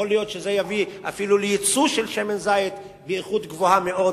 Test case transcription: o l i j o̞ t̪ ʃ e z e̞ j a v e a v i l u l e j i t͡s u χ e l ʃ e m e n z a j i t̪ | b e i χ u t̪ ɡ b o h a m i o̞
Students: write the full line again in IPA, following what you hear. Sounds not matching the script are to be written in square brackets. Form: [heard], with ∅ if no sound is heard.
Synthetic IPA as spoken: o l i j o̞ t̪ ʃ e z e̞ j a v [i] a [f] i l u l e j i t͡s u [ʃ] e l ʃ e m e n z a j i t̪ | b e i χ u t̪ ɡ [v] o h a m [e] o̞